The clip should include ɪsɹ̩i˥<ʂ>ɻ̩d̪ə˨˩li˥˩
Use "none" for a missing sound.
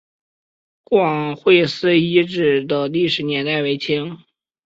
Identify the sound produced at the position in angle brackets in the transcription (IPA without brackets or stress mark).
ʈ͡ʂ